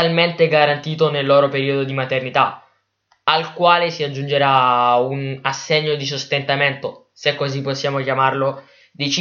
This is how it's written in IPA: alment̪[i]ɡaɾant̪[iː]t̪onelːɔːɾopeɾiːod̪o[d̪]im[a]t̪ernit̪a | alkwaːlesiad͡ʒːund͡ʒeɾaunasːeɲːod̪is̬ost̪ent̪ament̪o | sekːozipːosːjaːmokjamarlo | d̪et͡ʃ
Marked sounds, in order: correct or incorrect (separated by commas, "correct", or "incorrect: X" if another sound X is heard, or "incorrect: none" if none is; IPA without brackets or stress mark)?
incorrect: e, correct, correct, correct